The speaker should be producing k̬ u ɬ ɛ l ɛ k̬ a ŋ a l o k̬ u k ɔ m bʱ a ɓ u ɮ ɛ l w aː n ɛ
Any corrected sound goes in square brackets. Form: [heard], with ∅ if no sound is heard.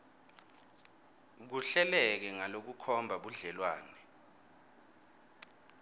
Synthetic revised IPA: k̬ u ɬ ɛ l ɛ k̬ [ɛ] ŋ a l o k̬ u [kʰ] ɔ m bʱ a ɓ u ɮ ɛ l w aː n ɛ